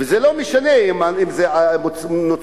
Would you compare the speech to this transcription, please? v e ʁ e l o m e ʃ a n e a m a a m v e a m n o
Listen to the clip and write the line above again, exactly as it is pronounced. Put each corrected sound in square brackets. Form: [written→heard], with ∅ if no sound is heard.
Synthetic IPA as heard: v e [ʁ→z] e l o m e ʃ a n e [a→i] m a [a→i] m [v→z] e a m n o